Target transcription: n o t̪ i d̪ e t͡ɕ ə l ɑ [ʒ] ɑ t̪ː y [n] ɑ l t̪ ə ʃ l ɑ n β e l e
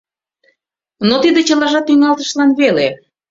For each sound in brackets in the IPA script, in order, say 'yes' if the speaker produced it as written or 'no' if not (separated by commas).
yes, no